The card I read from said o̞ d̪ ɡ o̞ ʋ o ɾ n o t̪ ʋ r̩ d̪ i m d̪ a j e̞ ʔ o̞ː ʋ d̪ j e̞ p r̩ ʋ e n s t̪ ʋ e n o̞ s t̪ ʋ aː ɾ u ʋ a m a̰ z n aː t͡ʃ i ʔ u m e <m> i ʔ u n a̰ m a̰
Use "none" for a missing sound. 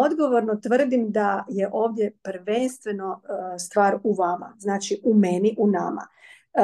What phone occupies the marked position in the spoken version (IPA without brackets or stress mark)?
n